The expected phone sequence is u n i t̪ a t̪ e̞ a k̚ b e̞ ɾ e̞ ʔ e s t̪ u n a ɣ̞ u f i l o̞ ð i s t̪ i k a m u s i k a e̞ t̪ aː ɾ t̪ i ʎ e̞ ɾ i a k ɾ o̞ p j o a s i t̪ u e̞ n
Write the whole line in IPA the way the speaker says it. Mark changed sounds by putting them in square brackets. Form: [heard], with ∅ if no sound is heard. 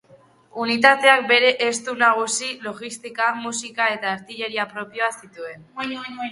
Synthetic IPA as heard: u n i t̪ a t̪ e̞ a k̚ b e̞ ɾ e̞ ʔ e s t̪ u n a ɣ̞ u [s] i l o̞ [ɣ] i s t̪ i k a m u s i k a e̞ t̪ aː ɾ t̪ i ʎ e̞ ɾ i a [p] ɾ o̞ p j o a s i t̪ u e̞ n